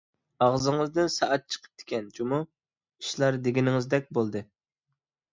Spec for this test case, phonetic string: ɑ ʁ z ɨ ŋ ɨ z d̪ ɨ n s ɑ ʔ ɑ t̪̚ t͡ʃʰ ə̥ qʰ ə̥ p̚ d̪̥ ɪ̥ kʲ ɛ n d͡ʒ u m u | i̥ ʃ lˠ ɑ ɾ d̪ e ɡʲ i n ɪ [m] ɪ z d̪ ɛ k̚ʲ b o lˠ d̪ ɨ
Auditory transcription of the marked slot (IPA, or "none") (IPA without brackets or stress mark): ŋ